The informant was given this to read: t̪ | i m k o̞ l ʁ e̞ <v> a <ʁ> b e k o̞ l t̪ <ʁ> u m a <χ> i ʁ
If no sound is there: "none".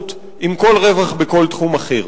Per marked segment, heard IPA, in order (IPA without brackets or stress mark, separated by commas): v, χ, χ, χ